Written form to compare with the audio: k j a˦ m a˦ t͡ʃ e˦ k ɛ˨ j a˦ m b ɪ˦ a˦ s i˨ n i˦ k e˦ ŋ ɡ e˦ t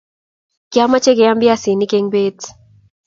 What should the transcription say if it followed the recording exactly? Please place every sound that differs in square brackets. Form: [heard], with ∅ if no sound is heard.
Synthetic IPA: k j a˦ m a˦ t͡ʃ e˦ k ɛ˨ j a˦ m b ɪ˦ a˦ s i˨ n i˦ k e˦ ŋ [b] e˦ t